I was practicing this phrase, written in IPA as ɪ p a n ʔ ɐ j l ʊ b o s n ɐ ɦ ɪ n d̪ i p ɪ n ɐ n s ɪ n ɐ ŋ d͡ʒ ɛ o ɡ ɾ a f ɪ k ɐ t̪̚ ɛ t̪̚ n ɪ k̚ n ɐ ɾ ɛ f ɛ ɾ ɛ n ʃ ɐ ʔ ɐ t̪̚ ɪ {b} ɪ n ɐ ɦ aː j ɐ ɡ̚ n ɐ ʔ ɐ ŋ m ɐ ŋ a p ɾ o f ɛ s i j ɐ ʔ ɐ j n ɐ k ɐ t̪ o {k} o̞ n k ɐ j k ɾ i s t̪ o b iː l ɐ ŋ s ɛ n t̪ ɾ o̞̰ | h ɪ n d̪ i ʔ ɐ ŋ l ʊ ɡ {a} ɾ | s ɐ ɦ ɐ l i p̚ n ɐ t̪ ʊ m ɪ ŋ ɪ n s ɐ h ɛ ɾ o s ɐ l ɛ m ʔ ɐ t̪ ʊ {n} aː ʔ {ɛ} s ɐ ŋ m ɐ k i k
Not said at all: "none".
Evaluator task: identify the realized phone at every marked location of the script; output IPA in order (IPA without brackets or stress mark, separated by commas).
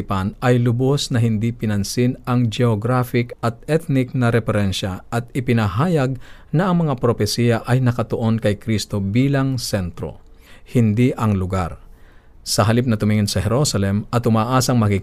p, ʔ, a, m, a